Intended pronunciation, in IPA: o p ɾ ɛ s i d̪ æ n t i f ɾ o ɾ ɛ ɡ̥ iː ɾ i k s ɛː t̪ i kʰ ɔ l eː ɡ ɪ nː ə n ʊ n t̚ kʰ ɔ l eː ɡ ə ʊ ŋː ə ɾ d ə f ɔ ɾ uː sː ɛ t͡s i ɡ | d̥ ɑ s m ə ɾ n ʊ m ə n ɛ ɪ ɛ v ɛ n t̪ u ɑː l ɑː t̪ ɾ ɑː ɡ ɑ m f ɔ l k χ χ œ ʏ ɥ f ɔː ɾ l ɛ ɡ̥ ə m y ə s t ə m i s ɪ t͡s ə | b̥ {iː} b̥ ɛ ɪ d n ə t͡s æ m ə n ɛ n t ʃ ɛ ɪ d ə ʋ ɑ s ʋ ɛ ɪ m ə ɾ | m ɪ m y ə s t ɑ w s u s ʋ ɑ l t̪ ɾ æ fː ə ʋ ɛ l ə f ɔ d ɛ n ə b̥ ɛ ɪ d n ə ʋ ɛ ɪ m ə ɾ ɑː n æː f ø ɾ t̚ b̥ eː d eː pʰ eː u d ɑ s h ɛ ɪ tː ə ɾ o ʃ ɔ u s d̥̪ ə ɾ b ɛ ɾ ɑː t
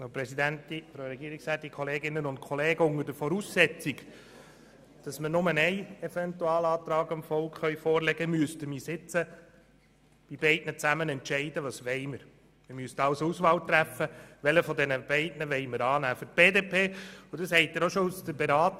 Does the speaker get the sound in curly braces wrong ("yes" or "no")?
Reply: yes